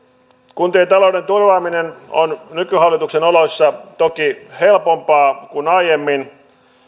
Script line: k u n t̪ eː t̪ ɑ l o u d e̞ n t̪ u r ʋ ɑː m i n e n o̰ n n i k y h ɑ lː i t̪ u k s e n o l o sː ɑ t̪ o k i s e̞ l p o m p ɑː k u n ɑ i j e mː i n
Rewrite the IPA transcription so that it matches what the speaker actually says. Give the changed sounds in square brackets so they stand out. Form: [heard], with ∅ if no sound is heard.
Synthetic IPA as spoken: k u n t̪ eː t̪ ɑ l o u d e̞ n t̪ u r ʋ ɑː m i n e n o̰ n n [y] k y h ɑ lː i t̪ u k s e n o l o sː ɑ t̪ o k i [h] e̞ l p o m p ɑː k u n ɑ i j e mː i n